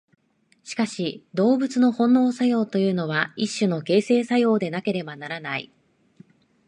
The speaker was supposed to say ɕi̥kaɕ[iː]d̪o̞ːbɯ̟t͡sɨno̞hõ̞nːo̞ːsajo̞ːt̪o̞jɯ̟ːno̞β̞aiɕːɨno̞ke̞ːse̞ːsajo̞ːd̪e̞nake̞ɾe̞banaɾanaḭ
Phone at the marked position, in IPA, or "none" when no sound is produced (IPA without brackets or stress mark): i